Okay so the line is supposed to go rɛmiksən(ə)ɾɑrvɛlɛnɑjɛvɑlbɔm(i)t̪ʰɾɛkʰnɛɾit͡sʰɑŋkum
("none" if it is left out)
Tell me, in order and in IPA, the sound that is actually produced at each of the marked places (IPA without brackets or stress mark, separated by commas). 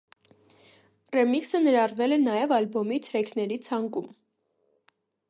ə, i